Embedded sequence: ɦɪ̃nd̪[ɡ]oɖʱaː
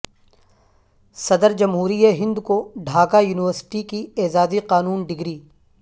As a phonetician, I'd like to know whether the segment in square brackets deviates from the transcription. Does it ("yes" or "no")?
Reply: yes